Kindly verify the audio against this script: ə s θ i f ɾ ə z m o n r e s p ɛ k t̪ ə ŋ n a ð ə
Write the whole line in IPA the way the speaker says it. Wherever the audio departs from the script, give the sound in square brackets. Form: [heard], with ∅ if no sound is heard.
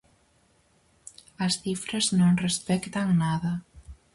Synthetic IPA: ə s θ i f ɾ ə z [n] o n r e s p ɛ k t̪ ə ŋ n a ð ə